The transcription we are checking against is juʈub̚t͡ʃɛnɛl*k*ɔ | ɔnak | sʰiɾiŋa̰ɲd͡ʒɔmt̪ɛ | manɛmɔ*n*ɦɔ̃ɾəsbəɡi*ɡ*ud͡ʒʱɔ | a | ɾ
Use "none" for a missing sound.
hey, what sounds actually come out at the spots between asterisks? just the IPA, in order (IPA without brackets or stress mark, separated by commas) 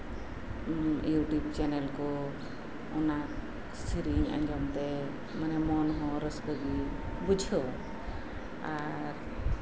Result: k, n, b